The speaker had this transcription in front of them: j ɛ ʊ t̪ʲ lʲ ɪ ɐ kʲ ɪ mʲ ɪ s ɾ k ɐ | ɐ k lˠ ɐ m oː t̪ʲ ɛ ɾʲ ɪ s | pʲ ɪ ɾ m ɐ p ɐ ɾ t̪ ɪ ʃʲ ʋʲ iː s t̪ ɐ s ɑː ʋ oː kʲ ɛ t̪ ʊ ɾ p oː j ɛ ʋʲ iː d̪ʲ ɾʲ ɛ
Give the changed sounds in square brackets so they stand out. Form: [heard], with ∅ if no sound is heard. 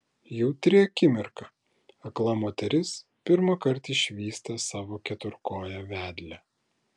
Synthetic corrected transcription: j ɛ ʊ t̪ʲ [ɾʲ] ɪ ɐ kʲ ɪ mʲ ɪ [∅] ɾ k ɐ | ɐ k lˠ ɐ m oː t̪ʲ ɛ ɾʲ ɪ s | pʲ ɪ ɾ m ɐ [k] ɐ ɾ t̪ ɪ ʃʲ ʋʲ iː s t̪ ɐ s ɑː ʋ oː kʲ ɛ t̪ ʊ ɾ [k] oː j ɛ ʋʲ [æː] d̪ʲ [lʲ] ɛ